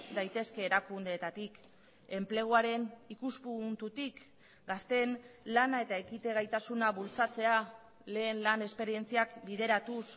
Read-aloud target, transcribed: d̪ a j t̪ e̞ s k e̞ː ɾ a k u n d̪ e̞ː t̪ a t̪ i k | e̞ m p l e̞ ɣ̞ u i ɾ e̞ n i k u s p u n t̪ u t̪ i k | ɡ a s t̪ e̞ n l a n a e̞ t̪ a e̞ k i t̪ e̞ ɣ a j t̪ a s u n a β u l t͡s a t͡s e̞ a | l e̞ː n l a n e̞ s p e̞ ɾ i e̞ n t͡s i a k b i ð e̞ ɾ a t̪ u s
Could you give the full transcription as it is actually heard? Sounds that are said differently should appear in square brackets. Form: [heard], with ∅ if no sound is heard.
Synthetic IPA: d̪ a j t̪ e̞ s k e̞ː ɾ a k u n d̪ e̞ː t̪ a t̪ i k | e̞ m p l e̞ ɣ̞ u [a] ɾ e̞ n i k u s p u n t̪ u t̪ i k | ɡ a s t̪ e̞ n l a n a e̞ t̪ a e̞ k i t̪ e̞ ɣ a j t̪ a s u n a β u l t͡s a t͡s e̞ a | l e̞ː n l a n e̞ s p e̞ ɾ i e̞ n t͡s i a k b i ð e̞ ɾ a t̪ u s